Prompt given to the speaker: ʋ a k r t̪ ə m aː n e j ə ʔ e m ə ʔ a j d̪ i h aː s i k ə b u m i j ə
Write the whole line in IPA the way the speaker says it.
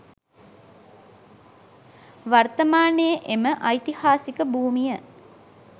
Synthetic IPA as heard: ʋ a r t̪ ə m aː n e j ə ʔ e m ə ʔ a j t̪ i h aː s i k ə b uː m i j ə

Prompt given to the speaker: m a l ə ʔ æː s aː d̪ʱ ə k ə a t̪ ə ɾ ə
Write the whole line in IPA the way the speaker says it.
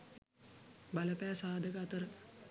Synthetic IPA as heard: b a l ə p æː s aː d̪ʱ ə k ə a t̪ ə ɾ ə

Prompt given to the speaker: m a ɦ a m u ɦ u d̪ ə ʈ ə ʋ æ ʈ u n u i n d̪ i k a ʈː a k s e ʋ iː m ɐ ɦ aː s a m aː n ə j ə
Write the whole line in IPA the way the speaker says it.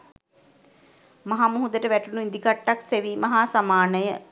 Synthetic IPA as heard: m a ɦ a m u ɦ u d̪ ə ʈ ə ʋ æ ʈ u n u i n d̪ i k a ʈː a k s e ʋ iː m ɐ ɦ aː s a m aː n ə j ə

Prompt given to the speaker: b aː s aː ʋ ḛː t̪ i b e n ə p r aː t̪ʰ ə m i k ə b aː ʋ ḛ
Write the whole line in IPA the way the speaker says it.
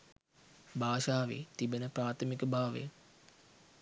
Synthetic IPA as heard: b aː ʃ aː ʋ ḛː t̪ i b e n ə p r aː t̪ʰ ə m i k ə b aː ʋ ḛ

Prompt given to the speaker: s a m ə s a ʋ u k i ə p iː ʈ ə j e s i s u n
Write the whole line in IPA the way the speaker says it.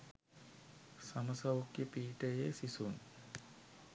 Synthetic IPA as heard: s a m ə s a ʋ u k j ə p iː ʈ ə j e s i s u n

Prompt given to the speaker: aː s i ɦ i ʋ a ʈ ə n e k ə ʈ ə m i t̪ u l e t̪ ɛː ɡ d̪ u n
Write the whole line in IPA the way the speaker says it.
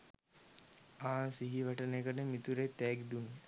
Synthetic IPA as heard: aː s i ɦ i ʋ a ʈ ə n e k ə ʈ ə m i t̪ u ɾ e t̪ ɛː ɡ d̪ u n

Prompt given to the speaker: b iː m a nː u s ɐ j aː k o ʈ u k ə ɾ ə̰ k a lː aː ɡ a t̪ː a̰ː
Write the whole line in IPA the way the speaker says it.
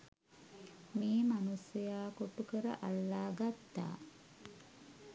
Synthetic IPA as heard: m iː m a n u s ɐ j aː k o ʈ u k ə ɾ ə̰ ʔ a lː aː ɡ a t̪ː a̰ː

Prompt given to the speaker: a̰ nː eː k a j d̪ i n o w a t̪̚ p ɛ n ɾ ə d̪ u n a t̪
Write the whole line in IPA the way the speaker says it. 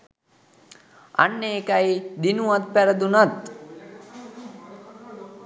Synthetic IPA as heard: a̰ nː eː k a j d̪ i n u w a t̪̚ p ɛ ɾ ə d̪ u n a t̪

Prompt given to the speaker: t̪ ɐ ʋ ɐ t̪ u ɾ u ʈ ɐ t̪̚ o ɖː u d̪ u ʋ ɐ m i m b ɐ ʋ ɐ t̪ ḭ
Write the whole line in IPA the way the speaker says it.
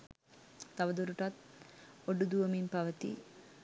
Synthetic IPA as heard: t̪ ɐ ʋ ɐ d̪ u ɾ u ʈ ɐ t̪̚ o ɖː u d̪ u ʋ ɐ m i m p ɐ ʋ ɐ t̪ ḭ

